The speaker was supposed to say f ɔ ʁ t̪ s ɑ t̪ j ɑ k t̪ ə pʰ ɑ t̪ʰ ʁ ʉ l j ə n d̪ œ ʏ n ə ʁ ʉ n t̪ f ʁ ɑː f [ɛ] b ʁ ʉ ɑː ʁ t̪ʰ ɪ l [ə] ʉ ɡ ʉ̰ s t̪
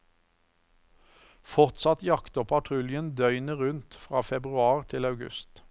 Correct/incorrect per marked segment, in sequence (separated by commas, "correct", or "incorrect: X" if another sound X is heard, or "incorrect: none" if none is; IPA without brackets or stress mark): correct, incorrect: ɑ